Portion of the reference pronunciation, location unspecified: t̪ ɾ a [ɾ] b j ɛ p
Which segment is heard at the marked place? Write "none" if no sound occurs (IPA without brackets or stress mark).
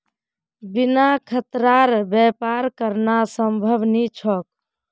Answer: ɾ